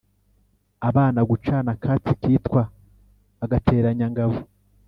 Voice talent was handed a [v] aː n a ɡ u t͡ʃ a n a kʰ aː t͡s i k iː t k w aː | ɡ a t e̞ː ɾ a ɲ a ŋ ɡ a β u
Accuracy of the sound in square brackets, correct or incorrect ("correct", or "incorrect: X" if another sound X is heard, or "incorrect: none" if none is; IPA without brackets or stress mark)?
incorrect: β